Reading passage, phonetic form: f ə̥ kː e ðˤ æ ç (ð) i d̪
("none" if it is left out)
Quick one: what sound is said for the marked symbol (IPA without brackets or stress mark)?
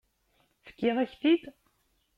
θ